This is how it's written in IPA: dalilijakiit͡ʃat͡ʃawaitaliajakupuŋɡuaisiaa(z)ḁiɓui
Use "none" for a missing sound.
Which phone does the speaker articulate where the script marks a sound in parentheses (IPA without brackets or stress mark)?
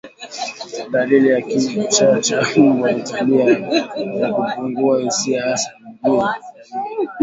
s